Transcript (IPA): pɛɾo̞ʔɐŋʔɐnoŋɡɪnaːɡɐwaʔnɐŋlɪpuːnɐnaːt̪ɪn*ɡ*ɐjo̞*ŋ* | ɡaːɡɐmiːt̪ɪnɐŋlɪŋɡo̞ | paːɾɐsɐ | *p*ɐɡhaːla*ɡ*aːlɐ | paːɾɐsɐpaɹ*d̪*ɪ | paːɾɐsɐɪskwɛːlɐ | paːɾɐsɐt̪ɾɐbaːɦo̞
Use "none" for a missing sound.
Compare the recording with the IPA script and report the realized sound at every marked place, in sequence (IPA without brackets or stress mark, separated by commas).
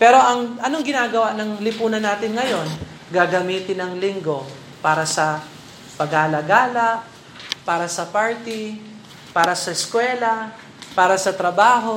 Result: ŋ, n, p, ɡ, t̪